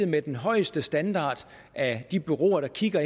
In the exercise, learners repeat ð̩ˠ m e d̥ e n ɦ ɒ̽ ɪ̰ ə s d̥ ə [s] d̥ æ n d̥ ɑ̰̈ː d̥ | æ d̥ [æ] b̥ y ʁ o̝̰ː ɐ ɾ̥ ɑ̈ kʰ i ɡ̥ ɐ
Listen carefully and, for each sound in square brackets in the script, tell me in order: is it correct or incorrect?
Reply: correct, incorrect

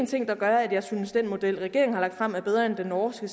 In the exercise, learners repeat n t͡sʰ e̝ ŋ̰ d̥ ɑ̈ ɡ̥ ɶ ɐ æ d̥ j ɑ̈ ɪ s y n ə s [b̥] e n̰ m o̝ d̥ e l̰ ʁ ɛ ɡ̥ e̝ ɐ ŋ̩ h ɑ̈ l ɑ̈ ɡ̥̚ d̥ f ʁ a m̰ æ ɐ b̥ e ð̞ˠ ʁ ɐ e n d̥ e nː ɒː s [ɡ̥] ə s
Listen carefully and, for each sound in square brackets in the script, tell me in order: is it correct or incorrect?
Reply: incorrect, correct

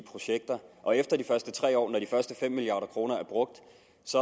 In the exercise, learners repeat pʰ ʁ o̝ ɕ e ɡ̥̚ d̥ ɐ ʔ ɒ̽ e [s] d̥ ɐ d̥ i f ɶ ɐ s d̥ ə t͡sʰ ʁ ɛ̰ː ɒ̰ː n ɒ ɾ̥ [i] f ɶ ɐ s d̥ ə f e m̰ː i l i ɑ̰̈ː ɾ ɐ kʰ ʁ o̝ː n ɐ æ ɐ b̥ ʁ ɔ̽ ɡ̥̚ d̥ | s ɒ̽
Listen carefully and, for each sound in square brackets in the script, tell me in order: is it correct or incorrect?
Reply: incorrect, correct

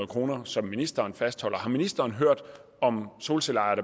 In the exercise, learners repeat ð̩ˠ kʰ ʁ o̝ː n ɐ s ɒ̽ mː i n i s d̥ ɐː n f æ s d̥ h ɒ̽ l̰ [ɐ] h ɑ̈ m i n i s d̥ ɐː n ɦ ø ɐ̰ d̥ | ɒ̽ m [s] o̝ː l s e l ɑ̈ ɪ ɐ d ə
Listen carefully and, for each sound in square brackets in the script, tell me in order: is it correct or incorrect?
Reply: correct, correct

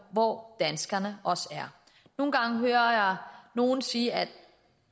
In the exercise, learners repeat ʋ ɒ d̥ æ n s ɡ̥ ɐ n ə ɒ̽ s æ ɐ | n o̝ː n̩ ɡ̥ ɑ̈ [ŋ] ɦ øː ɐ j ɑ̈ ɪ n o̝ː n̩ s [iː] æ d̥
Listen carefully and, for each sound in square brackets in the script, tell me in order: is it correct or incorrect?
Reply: correct, correct

